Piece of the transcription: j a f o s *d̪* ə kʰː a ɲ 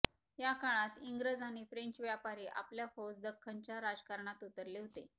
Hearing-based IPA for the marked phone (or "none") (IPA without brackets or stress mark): d̪